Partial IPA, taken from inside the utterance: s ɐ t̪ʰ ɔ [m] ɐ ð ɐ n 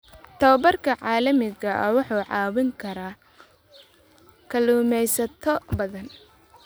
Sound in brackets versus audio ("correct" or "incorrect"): incorrect